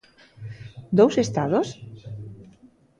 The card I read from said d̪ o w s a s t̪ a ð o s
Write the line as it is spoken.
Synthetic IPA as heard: d̪ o w s e s t̪ a ð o s